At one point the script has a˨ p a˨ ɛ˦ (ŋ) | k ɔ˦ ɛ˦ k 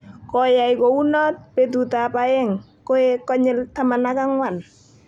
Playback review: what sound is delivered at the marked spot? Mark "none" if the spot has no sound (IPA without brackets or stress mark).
ŋ